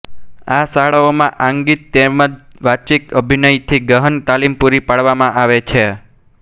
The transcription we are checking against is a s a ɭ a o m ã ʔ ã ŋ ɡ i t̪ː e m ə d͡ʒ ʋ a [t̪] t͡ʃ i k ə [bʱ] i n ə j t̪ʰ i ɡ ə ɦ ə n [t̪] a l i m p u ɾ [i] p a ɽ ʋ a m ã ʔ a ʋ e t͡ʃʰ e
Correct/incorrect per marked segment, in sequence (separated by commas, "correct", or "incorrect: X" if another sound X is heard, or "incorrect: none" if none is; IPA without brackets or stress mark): incorrect: none, correct, correct, correct